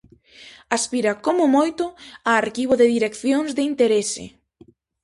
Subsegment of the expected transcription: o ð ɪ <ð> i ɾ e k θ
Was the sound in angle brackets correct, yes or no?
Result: yes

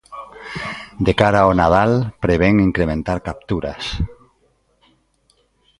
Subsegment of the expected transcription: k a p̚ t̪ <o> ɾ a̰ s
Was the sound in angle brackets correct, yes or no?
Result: no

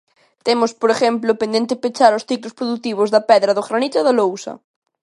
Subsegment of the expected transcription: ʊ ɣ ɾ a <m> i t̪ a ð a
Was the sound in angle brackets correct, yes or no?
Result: no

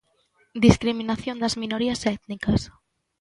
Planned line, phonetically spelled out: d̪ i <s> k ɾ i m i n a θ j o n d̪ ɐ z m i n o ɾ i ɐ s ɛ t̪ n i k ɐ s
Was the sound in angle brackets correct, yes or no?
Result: yes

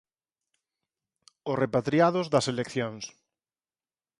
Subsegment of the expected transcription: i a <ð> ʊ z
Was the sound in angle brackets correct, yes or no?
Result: yes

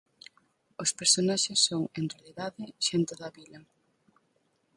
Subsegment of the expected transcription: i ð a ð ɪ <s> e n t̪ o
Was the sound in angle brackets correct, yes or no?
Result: no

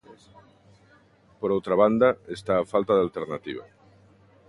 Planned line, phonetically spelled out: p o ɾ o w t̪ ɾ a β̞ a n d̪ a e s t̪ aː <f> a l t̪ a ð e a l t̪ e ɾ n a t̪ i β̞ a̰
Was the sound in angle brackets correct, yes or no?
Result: yes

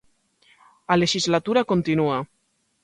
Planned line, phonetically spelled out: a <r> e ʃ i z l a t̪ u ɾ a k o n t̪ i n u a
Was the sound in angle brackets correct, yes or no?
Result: no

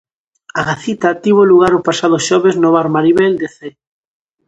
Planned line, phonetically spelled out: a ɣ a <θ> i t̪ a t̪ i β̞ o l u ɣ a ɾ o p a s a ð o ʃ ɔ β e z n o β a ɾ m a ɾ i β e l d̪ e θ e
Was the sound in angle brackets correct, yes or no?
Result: yes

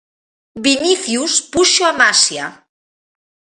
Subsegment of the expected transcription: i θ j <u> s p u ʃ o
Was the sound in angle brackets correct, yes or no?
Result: yes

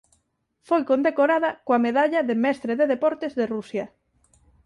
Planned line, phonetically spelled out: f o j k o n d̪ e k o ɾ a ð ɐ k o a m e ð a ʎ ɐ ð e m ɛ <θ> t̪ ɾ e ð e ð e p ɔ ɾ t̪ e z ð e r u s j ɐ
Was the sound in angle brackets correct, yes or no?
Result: no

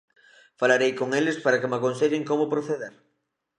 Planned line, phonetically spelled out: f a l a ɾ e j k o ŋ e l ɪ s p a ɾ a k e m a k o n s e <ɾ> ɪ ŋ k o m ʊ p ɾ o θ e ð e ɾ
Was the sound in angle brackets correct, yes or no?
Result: no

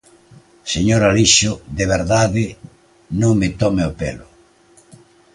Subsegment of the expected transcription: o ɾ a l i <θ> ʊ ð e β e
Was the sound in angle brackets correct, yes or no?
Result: no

